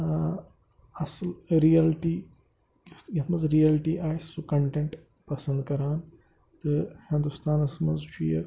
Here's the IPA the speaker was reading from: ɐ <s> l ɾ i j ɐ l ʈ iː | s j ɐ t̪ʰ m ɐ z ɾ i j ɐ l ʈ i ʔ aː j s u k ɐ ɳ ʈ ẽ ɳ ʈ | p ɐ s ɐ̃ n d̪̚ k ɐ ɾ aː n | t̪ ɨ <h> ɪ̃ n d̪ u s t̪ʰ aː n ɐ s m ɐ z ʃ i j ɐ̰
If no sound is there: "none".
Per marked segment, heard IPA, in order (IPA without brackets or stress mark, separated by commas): s, h